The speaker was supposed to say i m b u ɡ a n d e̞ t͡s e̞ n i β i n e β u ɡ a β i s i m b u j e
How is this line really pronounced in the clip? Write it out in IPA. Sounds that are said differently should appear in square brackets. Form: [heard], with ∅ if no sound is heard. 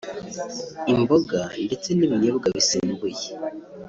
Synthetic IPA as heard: i m b [o] ɡ a n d e̞ t͡s e̞ n i β i [ɲ] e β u ɡ a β i s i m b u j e